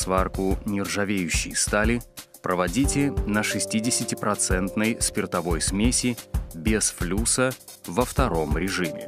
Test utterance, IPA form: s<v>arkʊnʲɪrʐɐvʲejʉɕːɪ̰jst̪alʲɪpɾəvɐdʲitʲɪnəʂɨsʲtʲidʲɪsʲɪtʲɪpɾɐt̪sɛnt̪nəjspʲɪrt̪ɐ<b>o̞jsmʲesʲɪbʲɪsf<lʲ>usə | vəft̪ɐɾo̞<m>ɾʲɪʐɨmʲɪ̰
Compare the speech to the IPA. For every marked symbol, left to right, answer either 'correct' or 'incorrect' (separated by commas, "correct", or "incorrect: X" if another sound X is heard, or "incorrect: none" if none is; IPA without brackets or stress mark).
correct, incorrect: v, correct, correct